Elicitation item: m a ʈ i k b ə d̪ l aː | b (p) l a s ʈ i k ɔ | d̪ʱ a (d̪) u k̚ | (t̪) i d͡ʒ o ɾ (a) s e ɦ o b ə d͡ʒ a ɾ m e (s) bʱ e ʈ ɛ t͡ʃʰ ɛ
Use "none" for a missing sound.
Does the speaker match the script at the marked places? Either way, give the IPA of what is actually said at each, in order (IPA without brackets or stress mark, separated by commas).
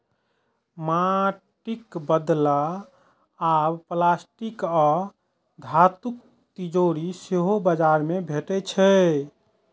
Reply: p, t̪, t̪, i, none